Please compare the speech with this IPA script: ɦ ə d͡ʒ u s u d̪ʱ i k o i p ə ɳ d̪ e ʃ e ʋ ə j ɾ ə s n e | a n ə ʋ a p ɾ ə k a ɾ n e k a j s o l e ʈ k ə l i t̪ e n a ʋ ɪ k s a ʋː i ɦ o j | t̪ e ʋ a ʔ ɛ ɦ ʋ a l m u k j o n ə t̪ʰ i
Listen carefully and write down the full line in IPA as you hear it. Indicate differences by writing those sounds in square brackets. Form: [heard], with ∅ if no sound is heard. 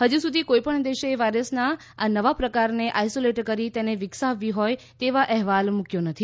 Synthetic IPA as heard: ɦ ə d͡ʒ u s u d̪ʱ i k o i p ə ɳ d̪ e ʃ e ʋ [a] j ɾ ə s n [a] | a n ə ʋ a p ɾ ə k a ɾ n e [ʔ] a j s o l e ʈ k ə [ɾ] i t̪ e n [e] ʋ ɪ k s a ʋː i ɦ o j | t̪ e ʋ a ʔ ɛ ɦ ʋ a l m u k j o n ə t̪ʰ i